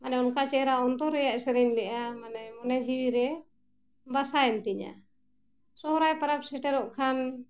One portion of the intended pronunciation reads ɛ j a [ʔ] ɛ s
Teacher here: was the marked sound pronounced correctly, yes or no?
yes